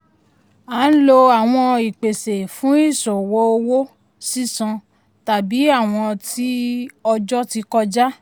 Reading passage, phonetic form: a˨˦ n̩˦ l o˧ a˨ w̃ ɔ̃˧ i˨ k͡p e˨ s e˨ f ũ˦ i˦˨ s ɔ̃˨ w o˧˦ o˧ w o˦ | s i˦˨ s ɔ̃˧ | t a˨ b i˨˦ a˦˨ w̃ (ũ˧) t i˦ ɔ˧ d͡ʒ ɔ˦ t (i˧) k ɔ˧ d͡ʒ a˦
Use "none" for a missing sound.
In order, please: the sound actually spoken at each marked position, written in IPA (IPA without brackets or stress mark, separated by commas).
ɔ̃˧, i˧